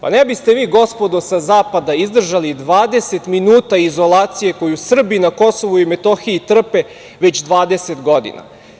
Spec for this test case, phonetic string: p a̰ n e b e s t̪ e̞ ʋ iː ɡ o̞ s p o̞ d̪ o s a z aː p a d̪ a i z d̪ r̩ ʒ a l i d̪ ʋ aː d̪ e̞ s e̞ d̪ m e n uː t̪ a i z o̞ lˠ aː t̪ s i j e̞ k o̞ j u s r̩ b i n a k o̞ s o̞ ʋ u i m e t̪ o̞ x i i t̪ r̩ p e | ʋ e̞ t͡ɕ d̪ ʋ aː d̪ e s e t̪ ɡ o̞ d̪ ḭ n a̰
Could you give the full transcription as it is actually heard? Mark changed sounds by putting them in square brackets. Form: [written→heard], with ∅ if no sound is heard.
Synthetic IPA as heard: p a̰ n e b [e→i] s t̪ e̞ ʋ iː ɡ o̞ s p o̞ d̪ o s a z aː p a d̪ a i z d̪ r̩ ʒ a l i d̪ ʋ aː d̪ e̞ s e̞ [d̪→t̪] m [e→i] n uː t̪ a i z o̞ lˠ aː t̪ s i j e̞ k o̞ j u s r̩ b i n a k o̞ s o̞ ʋ u i m e t̪ o̞ x i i t̪ r̩ p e | ʋ e̞ t͡ɕ d̪ ʋ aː d̪ e s e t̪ ɡ o̞ d̪ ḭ n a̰